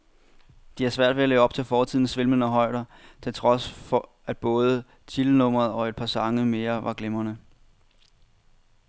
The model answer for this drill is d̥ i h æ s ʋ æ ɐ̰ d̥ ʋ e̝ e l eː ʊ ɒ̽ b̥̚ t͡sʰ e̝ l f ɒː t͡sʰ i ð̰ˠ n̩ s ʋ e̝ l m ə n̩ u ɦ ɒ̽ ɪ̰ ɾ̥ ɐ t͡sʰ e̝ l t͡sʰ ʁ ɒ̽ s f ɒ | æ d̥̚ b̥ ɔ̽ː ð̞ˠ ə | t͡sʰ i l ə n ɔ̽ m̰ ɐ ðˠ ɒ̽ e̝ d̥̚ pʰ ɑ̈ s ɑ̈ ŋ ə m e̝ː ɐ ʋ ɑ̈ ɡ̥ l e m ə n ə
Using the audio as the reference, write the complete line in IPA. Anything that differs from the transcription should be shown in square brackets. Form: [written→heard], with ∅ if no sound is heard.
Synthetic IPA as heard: d̥ i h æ s ʋ æ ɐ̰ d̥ ʋ e̝ [e→æ] l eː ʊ ɒ̽ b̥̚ t͡sʰ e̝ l f ɒː t͡sʰ i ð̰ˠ n̩ s ʋ e̝ l m ə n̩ [u→ɒ] ɦ ɒ̽ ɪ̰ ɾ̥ ɐ t͡sʰ e̝ l t͡sʰ ʁ ɒ̽ s f ɒ | æ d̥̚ b̥ ɔ̽ː ð̞ˠ ə | t͡sʰ i l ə n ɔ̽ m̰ ɐ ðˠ ɒ̽ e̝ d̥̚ pʰ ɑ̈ s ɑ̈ ŋ ə m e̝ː ɐ ʋ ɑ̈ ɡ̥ l e m [ə→ɐ] n ə